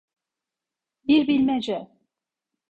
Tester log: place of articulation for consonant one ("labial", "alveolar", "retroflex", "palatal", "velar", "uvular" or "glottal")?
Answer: labial